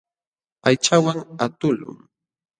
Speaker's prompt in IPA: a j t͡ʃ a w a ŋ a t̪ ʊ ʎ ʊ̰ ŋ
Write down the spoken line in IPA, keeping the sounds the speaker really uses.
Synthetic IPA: a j t͡ʃ a w a ŋ a t̪ ʊ l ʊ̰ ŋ